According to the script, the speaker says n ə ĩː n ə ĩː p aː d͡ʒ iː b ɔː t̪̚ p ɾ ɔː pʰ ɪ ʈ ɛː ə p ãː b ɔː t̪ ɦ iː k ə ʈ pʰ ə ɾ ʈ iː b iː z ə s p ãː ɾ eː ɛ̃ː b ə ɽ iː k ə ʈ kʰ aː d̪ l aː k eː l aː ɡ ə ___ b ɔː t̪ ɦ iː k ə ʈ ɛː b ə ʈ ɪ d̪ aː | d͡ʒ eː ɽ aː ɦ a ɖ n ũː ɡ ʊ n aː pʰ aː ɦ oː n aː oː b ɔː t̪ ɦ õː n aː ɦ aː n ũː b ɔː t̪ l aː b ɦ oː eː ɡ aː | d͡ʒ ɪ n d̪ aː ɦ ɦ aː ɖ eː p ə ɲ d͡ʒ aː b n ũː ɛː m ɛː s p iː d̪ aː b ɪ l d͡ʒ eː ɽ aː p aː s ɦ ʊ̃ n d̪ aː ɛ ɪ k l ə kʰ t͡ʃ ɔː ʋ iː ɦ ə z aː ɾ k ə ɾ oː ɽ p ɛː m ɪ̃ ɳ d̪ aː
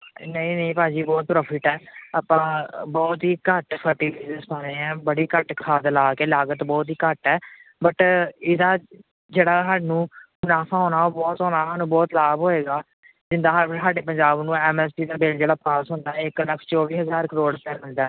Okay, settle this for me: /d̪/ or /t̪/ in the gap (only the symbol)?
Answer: t̪